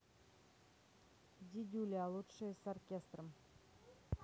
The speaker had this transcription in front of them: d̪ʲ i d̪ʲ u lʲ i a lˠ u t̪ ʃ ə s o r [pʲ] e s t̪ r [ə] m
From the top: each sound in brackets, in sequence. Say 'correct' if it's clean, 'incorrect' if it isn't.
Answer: incorrect: kʲ, correct

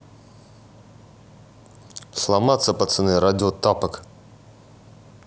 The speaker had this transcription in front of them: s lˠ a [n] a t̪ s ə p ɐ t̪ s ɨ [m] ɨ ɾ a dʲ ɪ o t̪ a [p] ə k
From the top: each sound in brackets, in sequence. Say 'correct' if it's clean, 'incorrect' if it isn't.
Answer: incorrect: m, incorrect: n, correct

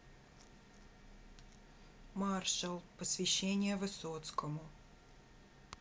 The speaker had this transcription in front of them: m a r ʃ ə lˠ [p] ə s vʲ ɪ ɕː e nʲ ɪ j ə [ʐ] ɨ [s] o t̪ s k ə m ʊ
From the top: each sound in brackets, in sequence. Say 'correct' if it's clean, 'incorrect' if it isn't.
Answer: correct, incorrect: v, correct

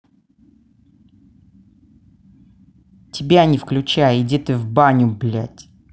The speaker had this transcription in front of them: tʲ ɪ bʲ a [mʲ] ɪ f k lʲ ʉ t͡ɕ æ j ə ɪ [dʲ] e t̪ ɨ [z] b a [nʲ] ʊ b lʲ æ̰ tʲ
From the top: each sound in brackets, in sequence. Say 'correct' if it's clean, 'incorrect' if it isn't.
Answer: incorrect: nʲ, correct, incorrect: v, correct

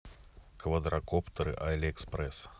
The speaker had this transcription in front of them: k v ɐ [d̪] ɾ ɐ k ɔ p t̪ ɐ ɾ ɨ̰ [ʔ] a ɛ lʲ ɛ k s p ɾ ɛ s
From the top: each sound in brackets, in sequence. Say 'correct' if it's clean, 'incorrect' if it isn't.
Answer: correct, correct

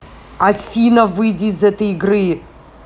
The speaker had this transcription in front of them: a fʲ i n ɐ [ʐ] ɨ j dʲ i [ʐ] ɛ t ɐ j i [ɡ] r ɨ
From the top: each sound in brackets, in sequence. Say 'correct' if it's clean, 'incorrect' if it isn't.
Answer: incorrect: v, incorrect: z, correct

